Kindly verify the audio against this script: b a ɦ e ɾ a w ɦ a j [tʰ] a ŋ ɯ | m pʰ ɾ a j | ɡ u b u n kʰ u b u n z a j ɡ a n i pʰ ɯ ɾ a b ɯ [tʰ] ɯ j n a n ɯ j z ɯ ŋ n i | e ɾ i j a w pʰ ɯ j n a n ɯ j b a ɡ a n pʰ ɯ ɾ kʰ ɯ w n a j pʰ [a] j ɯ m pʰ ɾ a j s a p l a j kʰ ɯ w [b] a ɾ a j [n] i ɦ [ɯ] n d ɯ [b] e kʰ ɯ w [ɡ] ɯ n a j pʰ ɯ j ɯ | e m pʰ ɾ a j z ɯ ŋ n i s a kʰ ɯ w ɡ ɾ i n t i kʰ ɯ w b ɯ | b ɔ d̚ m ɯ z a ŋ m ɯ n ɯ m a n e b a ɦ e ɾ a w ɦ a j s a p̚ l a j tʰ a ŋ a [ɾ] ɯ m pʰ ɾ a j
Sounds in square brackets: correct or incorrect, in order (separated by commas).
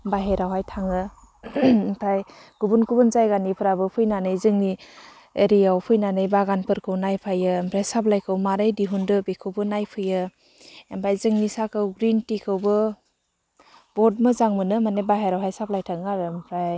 correct, incorrect, correct, incorrect, incorrect, incorrect, correct, incorrect, correct